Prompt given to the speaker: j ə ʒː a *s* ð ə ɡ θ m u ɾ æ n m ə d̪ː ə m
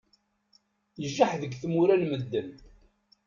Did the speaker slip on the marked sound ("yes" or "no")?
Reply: yes